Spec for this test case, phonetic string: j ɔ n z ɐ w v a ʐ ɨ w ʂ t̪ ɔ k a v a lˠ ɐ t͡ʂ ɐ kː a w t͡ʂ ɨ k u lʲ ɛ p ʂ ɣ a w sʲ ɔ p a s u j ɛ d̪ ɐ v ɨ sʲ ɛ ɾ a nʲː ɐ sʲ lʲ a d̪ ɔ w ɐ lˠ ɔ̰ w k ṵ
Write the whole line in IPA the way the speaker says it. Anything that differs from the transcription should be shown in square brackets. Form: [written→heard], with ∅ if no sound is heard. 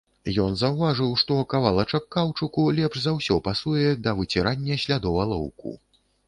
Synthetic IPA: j ɔ n z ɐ w v a ʐ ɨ w ʂ t̪ ɔ k a v a lˠ ɐ t͡ʂ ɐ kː a w t͡ʂ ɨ k u lʲ ɛ p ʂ [ɣ→z] a w sʲ ɔ p a s u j ɛ d̪ ɐ v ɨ [sʲ→t͡sʲ] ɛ ɾ a nʲː ɐ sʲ lʲ a d̪ ɔ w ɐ lˠ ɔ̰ w k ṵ